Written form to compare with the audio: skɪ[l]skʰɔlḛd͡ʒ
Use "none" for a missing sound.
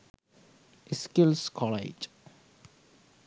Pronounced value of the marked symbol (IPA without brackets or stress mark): l